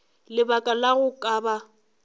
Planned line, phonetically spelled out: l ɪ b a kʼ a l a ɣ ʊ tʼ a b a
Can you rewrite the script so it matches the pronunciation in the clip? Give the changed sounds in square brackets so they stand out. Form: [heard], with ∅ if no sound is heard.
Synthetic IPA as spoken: l ɪ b a kʼ a l a ɣ ʊ [kʼ] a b a